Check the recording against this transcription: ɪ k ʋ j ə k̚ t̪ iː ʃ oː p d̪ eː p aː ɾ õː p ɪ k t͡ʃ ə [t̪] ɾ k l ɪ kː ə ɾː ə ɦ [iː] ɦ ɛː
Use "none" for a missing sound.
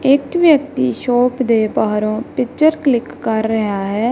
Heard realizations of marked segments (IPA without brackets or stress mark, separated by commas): none, aː